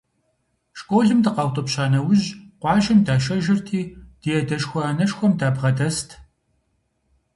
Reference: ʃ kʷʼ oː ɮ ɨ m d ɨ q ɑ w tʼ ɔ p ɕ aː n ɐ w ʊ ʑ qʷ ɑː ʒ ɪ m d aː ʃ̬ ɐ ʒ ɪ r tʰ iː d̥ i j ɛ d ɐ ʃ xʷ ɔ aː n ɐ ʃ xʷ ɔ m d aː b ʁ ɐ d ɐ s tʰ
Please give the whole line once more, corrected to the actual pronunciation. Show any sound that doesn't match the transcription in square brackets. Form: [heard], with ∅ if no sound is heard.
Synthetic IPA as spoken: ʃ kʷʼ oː ɮ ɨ m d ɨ q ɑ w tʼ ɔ p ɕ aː n ɐ w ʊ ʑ qʷ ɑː ʒ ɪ m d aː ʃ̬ ɐ ʒ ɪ r tʰ iː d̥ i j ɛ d ɐ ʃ xʷ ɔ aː n ɐ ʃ xʷ ɔ m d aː b ʁ ɐ d ɐ s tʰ